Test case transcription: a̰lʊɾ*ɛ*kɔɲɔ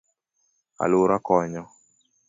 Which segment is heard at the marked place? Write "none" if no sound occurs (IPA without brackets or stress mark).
a